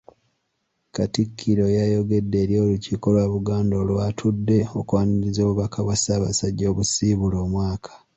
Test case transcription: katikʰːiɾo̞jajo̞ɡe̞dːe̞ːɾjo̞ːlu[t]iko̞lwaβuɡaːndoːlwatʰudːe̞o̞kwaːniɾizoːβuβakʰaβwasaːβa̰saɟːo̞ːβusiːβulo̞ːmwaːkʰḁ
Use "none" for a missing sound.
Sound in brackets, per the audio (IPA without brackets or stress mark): c